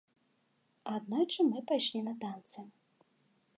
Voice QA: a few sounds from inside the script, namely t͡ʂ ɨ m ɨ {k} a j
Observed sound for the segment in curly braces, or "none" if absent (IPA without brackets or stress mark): p